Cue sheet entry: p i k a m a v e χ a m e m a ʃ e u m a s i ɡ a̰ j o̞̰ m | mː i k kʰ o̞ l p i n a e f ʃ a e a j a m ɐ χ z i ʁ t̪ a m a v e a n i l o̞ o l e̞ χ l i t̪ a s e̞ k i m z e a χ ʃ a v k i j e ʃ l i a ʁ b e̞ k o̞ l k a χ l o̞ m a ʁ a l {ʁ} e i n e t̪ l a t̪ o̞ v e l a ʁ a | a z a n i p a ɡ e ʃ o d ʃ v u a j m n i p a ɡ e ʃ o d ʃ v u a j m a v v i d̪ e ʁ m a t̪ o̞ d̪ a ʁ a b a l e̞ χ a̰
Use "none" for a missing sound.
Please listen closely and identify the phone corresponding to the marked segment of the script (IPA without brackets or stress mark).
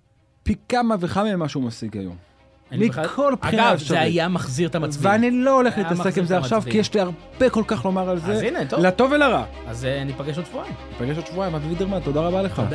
z